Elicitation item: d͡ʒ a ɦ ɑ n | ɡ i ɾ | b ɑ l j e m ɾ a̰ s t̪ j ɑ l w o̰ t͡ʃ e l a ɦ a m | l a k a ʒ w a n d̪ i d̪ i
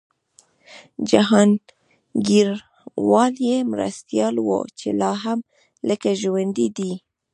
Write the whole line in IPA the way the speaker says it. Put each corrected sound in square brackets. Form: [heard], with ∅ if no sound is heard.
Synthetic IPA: d͡ʒ a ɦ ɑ n | ɡ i ɾ | [w] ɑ l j e m ɾ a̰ s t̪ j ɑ l w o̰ t͡ʃ e l [ɑ] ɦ a m | l [ə] k a ʒ w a n d̪ i d̪ i

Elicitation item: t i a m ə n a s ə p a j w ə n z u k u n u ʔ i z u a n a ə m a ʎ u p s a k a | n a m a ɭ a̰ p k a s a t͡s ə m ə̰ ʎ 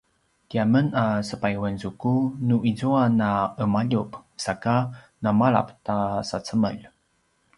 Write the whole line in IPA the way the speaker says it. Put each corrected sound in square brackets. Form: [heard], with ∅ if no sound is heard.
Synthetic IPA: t i a m ə n a s ə p a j w ə n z u k u n u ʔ i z u a n a ə m a ʎ u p s a k a | n a m a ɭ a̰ p [t] a s a t͡s ə m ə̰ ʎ

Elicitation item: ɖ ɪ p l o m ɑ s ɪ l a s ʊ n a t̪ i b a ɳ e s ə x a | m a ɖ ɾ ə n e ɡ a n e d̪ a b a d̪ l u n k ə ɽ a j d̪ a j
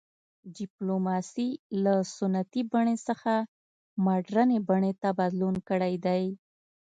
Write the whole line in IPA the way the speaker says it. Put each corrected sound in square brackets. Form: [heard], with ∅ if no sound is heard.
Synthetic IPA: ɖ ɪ p l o m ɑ s [i] l a s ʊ n a t̪ i b a ɳ e s ə x a | m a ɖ ɾ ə n e [b] a [ɳ] e [t̪] a b a d̪ l u n k ə ɽ a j d̪ a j

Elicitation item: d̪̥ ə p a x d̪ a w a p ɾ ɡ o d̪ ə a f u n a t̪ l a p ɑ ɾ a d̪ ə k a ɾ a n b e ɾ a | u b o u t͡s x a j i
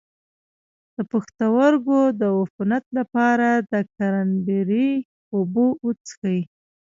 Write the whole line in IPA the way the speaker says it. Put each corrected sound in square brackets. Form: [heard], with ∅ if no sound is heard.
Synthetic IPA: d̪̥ ə p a x [t̪] a w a [∅] ɾ ɡ o d̪ ə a f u n a t̪ l a p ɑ ɾ a d̪ ə k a ɾ a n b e ɾ [i] | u b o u t͡s x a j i

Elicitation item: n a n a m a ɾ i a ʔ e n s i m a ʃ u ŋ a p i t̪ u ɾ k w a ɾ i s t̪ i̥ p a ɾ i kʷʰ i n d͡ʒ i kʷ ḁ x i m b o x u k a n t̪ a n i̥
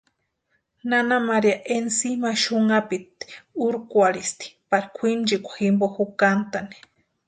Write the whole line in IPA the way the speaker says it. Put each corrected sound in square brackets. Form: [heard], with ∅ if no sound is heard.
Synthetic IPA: n a n a m a ɾ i a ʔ e n s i m a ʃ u ŋ a p i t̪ u ɾ k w a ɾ i s t̪ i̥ p a ɾ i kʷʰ i n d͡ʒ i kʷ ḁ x i m b o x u k a n t̪ a n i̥

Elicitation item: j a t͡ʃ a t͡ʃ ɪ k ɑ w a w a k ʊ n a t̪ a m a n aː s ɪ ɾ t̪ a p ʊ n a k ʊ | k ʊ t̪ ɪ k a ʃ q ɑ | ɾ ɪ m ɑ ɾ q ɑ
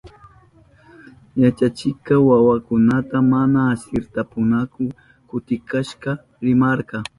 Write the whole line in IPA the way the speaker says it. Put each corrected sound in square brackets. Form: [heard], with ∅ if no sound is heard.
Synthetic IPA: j a t͡ʃ a t͡ʃ ɪ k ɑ w a w a k ʊ n a t̪ a m a n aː s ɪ ɾ t̪ a p ʊ n a k ʊ | k ʊ t̪ ɪ k a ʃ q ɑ | ɾ ɪ m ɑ ɾ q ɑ

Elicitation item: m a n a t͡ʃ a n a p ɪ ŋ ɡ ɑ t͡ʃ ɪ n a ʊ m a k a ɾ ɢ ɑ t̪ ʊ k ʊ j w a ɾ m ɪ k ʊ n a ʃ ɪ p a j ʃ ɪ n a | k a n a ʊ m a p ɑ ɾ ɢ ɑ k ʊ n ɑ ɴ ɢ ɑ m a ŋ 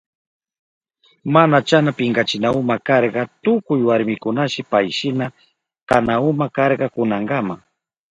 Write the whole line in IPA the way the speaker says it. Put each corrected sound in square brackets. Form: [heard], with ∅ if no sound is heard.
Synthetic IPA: m a n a t͡ʃ a n a p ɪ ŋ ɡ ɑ t͡ʃ ɪ n a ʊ m a k [ɑ] ɾ ɢ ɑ t̪ ʊ k ʊ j w a ɾ m ɪ k ʊ n a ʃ ɪ p a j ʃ ɪ n a | k a n a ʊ m a [k] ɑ ɾ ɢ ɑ k ʊ n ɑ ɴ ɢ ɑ m a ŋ

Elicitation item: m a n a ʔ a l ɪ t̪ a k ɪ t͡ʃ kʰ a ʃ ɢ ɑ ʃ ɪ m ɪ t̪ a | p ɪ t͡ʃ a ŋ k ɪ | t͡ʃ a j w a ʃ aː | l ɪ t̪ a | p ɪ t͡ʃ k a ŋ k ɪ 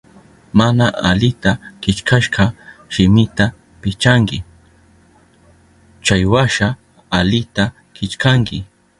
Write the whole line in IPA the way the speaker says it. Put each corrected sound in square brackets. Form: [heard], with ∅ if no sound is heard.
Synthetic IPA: m a n a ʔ a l ɪ t̪ a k ɪ t͡ʃ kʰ a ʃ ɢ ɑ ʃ ɪ m ɪ t̪ a | p ɪ t͡ʃ a ŋ k ɪ | t͡ʃ a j w a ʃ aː | l ɪ t̪ a | [k] ɪ t͡ʃ k a ŋ k ɪ

